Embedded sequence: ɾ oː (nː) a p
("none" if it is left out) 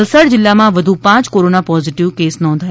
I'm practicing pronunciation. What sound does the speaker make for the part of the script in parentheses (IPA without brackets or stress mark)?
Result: n